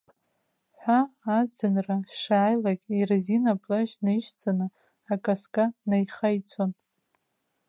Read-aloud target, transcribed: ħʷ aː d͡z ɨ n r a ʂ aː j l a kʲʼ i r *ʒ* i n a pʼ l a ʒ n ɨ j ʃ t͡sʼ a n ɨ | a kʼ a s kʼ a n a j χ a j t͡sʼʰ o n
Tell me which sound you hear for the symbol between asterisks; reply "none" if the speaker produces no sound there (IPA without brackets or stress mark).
z